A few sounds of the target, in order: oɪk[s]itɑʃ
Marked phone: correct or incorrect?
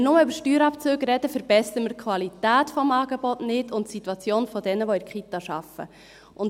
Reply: incorrect